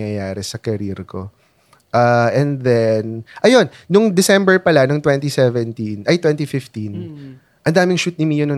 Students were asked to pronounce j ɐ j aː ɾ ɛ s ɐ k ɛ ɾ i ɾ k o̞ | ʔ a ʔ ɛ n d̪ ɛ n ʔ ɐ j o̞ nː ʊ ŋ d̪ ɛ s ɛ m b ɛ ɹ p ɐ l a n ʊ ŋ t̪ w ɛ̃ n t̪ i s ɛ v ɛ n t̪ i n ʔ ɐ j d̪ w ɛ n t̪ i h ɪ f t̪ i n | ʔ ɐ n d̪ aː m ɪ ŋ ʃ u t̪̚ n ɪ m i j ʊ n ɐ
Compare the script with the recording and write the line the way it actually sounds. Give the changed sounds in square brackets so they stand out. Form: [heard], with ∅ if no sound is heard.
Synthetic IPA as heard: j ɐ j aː ɾ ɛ s ɐ k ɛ ɾ i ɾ k o̞ | ʔ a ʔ ɛ n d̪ ɛ n ʔ ɐ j o̞ nː ʊ ŋ d̪ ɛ s ɛ m b ɛ ɹ p ɐ l a n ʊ ŋ t̪ w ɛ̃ n t̪ i s ɛ v ɛ n t̪ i n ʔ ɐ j [t̪] w ɛ n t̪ i [f] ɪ f t̪ i n | ʔ ɐ n d̪ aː m ɪ ŋ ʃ u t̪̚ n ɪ m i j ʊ n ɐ